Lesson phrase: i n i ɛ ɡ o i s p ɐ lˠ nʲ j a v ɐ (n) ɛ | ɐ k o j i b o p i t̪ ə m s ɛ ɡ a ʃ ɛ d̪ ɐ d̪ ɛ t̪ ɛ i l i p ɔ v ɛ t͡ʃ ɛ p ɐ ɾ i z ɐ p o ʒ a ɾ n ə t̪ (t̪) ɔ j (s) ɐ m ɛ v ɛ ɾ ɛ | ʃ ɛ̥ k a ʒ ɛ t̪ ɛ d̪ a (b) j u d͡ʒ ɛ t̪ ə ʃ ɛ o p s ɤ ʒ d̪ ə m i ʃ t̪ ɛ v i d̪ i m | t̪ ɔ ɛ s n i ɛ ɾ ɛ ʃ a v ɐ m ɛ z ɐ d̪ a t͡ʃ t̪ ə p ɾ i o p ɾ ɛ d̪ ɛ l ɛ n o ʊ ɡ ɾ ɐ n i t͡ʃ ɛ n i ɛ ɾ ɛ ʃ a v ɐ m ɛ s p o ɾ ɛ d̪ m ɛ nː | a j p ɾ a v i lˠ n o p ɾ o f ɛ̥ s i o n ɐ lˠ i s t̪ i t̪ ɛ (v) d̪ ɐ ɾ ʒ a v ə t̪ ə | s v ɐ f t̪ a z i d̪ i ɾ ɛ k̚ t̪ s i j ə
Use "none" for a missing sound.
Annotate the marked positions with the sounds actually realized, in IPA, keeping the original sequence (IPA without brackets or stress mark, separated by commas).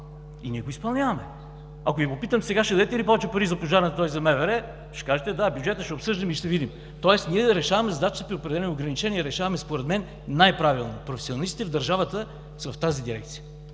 m, t̪, z, b, v